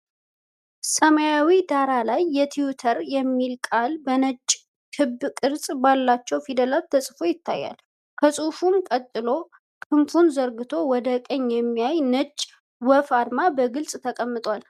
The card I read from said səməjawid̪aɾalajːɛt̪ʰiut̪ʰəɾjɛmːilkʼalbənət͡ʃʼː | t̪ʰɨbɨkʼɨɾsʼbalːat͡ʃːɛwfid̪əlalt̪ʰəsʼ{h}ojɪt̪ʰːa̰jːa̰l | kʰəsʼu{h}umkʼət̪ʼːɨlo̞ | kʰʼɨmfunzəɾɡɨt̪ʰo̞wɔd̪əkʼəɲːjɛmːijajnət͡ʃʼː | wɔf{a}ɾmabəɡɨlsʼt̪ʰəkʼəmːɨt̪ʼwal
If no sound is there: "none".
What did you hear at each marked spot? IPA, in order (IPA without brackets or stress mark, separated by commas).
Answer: f, f, a